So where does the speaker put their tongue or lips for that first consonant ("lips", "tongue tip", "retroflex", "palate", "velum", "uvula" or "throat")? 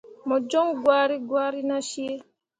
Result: lips